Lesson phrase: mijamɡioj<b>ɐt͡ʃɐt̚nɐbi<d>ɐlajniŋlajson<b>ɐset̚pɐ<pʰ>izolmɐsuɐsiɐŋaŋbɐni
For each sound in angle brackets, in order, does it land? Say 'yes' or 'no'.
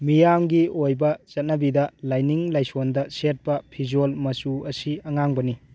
yes, yes, no, yes

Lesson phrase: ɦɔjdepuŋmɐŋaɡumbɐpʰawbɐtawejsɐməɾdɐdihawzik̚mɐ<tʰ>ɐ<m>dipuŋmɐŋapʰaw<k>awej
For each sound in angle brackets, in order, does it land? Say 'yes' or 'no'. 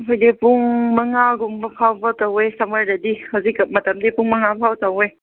no, yes, no

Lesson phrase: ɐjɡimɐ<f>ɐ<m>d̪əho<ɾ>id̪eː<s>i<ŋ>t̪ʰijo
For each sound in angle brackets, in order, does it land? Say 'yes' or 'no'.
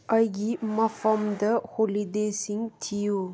yes, yes, no, yes, yes

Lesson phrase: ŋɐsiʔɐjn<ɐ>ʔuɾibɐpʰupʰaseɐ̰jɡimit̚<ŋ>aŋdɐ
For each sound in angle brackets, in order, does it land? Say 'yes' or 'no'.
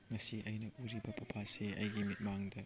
yes, no

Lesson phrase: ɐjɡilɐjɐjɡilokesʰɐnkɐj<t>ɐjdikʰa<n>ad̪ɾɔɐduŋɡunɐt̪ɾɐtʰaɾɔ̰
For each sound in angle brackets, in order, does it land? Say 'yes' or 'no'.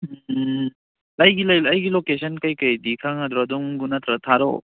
no, no

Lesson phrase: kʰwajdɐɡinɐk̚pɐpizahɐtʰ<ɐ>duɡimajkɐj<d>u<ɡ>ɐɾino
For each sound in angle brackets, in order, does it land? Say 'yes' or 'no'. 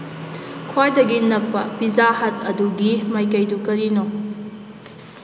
yes, yes, no

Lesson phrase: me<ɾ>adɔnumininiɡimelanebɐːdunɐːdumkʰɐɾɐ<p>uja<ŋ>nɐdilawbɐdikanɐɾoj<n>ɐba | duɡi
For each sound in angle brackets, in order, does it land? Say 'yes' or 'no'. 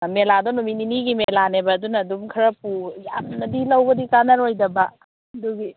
no, yes, no, no

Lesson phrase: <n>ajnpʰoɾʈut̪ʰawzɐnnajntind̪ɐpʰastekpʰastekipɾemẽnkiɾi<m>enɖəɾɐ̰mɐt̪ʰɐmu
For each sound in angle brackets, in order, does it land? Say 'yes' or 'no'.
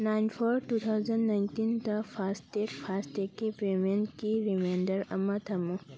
yes, yes

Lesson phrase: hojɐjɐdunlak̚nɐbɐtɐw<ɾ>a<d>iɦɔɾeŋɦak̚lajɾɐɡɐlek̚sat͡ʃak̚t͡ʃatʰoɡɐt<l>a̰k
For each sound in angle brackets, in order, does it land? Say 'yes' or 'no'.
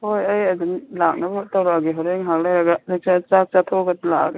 yes, no, yes

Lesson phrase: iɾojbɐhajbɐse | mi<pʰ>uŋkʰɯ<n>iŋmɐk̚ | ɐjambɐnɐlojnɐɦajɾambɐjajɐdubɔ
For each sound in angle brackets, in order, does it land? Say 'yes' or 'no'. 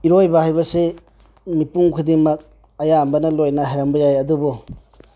no, no

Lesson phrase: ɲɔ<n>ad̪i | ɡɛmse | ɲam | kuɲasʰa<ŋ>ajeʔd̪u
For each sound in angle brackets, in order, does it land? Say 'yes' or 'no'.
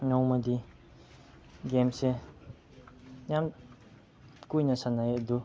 no, no

